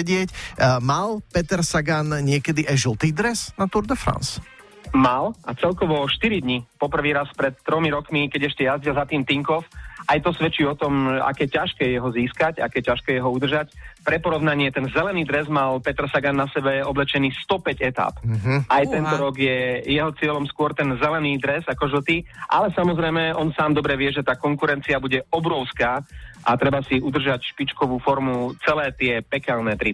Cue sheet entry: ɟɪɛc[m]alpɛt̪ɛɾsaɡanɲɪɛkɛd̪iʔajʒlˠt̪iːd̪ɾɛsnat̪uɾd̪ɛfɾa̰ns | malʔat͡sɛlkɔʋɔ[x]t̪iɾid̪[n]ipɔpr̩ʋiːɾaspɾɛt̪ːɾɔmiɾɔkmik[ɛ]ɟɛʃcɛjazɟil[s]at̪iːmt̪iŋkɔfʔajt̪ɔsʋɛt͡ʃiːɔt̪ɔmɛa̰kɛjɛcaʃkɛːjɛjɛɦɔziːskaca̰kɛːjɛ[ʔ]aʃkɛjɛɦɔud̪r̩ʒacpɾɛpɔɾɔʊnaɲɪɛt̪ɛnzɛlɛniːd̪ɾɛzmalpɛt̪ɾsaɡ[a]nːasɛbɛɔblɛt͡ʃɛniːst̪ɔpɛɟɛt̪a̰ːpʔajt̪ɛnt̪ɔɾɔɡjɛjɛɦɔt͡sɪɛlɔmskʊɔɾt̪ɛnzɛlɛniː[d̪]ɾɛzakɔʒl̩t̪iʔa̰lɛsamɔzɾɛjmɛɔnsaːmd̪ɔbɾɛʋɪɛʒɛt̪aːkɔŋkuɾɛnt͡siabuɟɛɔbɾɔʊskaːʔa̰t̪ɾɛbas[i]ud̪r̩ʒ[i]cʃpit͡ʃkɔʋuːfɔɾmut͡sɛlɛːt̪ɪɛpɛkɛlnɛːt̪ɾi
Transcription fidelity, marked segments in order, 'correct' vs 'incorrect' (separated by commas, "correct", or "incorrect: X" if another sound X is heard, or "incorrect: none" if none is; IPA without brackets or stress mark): correct, incorrect: ʃ, incorrect: ɲ, correct, incorrect: z, incorrect: c, correct, correct, correct, incorrect: a